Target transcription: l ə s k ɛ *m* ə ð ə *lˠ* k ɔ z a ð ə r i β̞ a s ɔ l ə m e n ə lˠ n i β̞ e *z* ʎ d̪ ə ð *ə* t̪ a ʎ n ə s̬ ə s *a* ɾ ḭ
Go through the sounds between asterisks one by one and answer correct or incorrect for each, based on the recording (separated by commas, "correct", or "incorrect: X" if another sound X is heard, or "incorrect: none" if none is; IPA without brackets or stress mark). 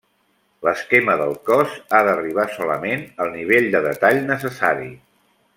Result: correct, correct, incorrect: none, correct, correct